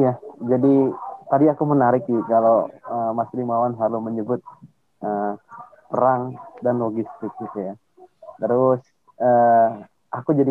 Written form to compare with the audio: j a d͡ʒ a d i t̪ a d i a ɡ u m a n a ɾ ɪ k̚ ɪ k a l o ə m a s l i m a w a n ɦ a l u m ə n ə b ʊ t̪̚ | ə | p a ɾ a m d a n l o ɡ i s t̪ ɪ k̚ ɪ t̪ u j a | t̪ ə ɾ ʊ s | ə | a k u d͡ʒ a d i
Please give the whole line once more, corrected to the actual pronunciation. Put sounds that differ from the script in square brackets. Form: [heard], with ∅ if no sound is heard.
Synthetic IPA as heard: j a d͡ʒ a d i t̪ a d i a [k] u m [ə] n a ɾ ɪ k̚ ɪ k a l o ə m a s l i m a w a n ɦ a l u m ə [ɲ] ə b ʊ t̪̚ | ə | p [ə] ɾ a [ŋ] d a n l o ɡ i s t̪ ɪ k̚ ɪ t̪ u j a | t̪ ə ɾ ʊ s | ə | a k u d͡ʒ a d i